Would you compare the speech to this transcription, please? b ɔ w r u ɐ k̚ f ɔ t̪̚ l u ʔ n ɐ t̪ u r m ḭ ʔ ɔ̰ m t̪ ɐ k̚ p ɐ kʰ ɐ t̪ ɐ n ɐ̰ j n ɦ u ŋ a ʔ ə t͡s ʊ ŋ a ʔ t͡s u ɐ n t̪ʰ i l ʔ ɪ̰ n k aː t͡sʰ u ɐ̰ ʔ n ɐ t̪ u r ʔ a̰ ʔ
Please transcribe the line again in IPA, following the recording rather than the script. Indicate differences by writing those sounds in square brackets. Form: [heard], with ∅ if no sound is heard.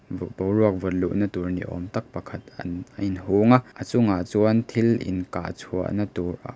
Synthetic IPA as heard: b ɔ w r u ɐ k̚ [v] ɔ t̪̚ l u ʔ n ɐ t̪ u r [n] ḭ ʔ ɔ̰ m t̪ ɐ k̚ p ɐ kʰ ɐ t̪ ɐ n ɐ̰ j n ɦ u ŋ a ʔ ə t͡s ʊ ŋ a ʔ t͡s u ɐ n t̪ʰ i l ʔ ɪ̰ n k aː t͡sʰ u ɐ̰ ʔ n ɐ t̪ u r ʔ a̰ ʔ